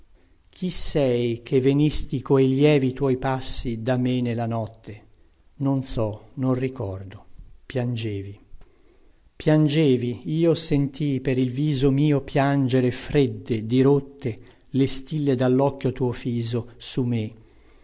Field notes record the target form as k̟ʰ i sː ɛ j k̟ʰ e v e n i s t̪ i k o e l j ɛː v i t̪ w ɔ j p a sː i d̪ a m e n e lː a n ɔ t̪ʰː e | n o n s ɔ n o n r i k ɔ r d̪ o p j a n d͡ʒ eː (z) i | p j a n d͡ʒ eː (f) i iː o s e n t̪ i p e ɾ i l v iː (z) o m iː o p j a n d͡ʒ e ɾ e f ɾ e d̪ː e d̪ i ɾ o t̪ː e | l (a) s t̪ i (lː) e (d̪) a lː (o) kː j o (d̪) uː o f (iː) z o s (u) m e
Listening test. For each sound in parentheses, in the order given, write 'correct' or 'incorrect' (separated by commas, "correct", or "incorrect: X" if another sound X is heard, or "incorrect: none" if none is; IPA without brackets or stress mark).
incorrect: v, incorrect: v, correct, incorrect: e, correct, correct, incorrect: ɔ, incorrect: t̪, correct, correct